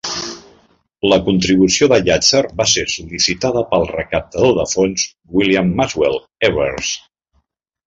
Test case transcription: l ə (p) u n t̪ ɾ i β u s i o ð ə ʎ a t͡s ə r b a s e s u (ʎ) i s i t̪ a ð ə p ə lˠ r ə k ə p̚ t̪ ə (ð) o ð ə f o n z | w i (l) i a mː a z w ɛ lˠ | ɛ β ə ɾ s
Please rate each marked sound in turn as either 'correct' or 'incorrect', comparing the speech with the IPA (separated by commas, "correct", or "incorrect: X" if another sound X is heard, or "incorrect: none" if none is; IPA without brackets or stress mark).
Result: incorrect: k, incorrect: l, correct, correct